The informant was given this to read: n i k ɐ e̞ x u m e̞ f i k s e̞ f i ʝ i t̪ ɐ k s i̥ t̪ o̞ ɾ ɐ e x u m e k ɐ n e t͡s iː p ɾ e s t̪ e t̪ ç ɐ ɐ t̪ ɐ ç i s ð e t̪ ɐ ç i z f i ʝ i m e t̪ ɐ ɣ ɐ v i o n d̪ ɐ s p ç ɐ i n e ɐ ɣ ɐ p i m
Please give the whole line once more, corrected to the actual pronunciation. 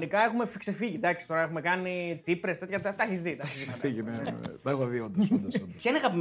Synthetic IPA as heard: n i k ɐ e̞ x u m e̞ f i k s e̞ f i ʝ i d̪ ɐ k s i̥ t̪ o̞ ɾ ɐ e x u m e k ɐ n i t͡s i p ɾ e s t̪ e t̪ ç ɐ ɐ t̪ ɐ ç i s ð i t̪ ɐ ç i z f i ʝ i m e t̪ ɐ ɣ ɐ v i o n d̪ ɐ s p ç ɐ i n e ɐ ɣ ɐ p i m